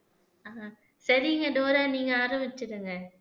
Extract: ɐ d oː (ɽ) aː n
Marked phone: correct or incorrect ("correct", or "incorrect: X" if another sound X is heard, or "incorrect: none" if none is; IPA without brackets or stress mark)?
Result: incorrect: ɾ